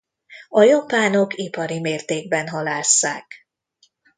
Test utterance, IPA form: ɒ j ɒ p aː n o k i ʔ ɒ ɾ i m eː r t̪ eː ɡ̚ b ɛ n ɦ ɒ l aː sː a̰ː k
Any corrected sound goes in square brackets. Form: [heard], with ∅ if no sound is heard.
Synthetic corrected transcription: ɒ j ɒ p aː n o k i [p] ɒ ɾ i m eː r t̪ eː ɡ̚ b ɛ n ɦ ɒ l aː sː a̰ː k